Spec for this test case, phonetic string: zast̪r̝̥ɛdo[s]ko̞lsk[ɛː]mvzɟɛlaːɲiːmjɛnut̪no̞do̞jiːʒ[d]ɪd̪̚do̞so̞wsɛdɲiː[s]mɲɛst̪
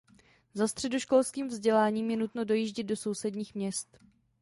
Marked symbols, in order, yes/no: no, no, no, no

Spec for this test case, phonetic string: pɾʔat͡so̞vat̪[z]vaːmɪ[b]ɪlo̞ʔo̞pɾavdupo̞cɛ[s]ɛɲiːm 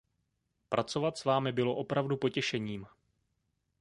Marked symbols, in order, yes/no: no, yes, no

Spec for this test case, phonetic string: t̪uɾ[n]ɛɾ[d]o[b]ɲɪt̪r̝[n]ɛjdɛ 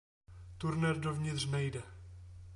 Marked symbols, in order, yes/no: yes, yes, no, yes

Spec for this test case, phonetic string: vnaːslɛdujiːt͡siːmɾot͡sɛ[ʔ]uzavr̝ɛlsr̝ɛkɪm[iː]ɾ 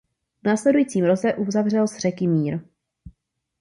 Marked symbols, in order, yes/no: yes, yes

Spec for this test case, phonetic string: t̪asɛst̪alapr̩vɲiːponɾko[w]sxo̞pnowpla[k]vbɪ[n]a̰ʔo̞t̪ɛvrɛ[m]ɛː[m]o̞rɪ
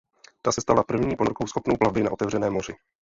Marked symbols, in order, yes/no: yes, no, yes, no, yes

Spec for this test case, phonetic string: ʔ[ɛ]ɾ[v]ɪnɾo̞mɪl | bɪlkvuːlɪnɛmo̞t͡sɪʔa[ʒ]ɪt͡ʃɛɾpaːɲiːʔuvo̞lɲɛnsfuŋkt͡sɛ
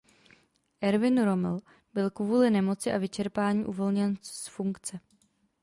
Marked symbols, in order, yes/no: yes, yes, no

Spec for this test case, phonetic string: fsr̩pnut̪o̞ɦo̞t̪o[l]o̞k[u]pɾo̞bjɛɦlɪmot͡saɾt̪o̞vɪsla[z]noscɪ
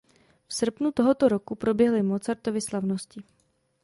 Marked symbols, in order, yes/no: no, yes, no

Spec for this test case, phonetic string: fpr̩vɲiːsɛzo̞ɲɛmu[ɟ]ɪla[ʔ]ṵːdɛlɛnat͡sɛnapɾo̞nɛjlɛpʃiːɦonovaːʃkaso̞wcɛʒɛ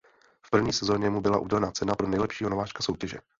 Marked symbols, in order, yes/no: no, yes

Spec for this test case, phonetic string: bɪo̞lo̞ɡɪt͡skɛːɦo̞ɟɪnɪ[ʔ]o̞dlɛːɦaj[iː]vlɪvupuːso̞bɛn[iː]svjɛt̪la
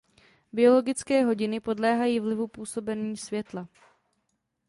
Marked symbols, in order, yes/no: no, yes, yes

